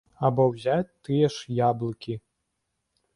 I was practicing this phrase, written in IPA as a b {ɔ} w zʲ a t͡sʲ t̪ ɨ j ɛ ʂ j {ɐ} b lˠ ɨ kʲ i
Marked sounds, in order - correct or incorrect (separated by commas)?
correct, incorrect